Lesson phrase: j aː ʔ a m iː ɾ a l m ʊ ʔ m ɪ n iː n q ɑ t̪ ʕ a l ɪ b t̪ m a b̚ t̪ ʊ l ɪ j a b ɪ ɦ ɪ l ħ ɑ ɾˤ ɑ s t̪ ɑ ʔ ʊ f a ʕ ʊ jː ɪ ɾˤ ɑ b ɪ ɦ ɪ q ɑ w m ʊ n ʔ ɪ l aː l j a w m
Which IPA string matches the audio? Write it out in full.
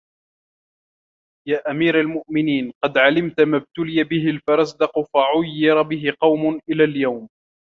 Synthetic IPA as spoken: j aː ʔ a m iː ɾ a l m ʊ ʔ m ɪ n iː n q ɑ d̪ ʕ a l ɪ m t̪ m a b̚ t̪ ʊ l ɪ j a b ɪ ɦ ɪ l f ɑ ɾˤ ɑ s d̪ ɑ q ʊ f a ʕ ʊ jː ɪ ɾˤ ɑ b ɪ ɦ ɪ q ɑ w m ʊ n ʔ ɪ l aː l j a w m

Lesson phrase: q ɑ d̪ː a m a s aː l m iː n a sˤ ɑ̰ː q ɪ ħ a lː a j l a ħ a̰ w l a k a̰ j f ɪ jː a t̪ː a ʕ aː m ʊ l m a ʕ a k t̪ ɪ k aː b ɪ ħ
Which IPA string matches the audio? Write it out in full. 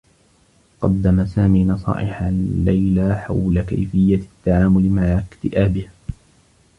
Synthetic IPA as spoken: q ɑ d̪ː a m a s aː m iː n ɑ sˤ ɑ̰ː ʔ ɪ ħ a lː a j l a ħ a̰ w l a k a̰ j f ɪ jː a t̪ː a ʕ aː m ʊ l m a ʕ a k t̪ ɪ ʔ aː b ɪ h

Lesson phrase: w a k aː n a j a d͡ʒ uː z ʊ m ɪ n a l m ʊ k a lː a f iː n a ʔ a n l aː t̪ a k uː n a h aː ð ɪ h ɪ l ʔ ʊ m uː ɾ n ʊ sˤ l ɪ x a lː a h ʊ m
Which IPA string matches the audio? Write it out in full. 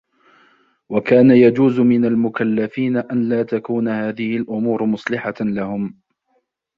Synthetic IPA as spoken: w a k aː n a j a d͡ʒ uː z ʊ m ɪ n a l m ʊ k a lː a f iː n a ʔ a n l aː t̪ a k uː n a h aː ð ɪ h ɪ l ʔ ʊ m uː ɾ m ʊ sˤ l ɪ ħ a l a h ʊ m

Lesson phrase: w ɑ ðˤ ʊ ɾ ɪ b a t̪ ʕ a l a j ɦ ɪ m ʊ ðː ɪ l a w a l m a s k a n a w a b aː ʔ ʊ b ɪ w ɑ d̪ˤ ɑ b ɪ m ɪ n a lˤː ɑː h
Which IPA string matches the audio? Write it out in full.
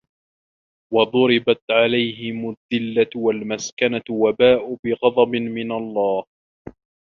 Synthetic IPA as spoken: w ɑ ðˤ ʊ ɾ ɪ b a t̪ ʕ a l a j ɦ ɪ m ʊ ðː ɪ lː a w a l m a s k a n a w a b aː ʔ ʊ b ɪ ɣ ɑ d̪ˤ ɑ b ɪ m ɪ n a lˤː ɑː h

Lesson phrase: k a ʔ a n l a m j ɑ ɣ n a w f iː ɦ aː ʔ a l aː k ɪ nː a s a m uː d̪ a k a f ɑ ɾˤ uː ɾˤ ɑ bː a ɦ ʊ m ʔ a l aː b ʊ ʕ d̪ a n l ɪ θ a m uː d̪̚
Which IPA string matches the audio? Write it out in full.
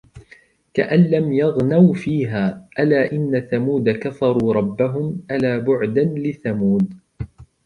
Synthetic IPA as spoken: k a ʔ a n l a m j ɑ ɣ n a w f iː ɦ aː ʔ a l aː ʔ ɪ nː a θ a m uː d̪ a k a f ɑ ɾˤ uː ɾˤ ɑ bː a ɦ ʊ m ʔ a l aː b ʊ ʕ d̪ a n l ɪ θ a m uː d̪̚

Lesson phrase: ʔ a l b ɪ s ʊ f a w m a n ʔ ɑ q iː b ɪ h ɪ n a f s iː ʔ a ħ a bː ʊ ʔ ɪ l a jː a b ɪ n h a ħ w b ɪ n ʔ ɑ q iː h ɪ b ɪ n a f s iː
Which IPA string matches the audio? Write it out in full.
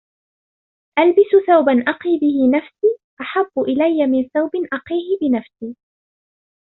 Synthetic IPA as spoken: ʔ a l b ɪ s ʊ θ a w b a n ʔ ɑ q iː b ɪ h ɪ n a f s iː ʔ a ħ a bː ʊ ʔ ɪ l a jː a m ɪ n θ a w b ɪ n ʔ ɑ q iː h ɪ b ɪ n a f s iː

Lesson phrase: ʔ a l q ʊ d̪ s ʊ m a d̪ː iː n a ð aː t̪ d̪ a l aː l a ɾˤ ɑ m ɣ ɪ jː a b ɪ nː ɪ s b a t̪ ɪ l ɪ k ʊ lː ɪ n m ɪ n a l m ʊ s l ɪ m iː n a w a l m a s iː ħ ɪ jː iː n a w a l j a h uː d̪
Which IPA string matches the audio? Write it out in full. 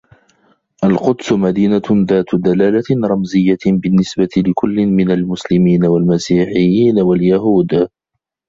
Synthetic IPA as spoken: ʔ a l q ʊ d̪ s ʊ m a d̪ iː n a ð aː t̪ d̪ a l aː l a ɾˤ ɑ m z ɪ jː a b ɪ nː ɪ s b a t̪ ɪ l ɪ k ʊ lː ɪ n m ɪ n a l m ʊ s l ɪ m iː n a w a l m a s iː ħ ɪ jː iː n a w a l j a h uː d̪

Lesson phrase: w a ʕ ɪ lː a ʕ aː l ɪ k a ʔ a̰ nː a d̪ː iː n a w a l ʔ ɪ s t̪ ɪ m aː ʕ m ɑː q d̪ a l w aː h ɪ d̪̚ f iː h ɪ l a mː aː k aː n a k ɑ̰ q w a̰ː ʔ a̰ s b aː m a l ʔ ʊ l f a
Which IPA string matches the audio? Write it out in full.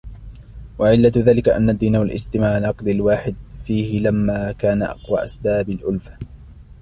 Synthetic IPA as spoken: w a ʕ ɪ lː a ð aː l ɪ k a ʔ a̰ nː a d̪ː iː n a w a l ʔ ɪ s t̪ ɪ m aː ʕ n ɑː q d̪ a l w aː ħ ɪ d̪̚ f iː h ɪ l a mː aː k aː n a ʔ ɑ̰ q w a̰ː ʔ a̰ s b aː b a l ʔ ʊ l f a

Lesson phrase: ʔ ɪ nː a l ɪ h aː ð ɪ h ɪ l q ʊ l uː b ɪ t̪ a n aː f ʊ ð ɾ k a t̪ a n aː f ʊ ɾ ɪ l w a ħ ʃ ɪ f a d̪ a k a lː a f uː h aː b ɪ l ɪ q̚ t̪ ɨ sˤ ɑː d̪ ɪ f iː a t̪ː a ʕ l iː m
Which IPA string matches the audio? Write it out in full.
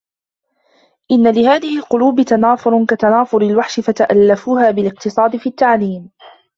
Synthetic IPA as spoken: ʔ ɪ nː a l ɪ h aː ð ɪ h ɪ l q ʊ l uː b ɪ t̪ a n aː f ʊ ɾ k a t̪ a n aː f ʊ ɾ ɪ l w a ħ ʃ ɪ f a t̪ a ʔ a lː a f uː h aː b ɪ l ɪ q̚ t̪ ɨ sˤ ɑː d̪ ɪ f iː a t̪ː a ʕ l iː m

